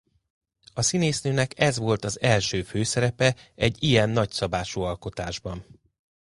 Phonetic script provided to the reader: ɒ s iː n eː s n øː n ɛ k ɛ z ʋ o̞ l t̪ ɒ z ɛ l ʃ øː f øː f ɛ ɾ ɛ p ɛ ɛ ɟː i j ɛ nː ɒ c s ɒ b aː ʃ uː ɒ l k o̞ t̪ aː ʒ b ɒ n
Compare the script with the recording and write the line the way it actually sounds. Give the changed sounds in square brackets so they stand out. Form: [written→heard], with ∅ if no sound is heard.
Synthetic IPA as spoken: ɒ s [iː→i] n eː s n øː n ɛ k ɛ z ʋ o̞ l t̪ ɒ z ɛ l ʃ øː f øː [f→s] ɛ ɾ ɛ p ɛ ɛ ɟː i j ɛ nː ɒ c s ɒ b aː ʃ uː ɒ l k o̞ t̪ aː ʒ b ɒ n